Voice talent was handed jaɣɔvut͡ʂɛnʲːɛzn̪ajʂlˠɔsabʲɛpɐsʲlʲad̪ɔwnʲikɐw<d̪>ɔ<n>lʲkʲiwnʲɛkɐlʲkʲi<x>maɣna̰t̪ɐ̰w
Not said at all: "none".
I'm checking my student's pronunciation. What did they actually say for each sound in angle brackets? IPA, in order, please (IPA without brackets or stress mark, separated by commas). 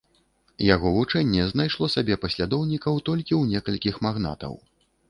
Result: t̪, none, x